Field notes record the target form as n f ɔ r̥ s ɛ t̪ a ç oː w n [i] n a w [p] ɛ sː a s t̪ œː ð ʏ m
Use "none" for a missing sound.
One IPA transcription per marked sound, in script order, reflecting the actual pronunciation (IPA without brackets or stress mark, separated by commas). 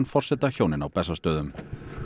ɪ, p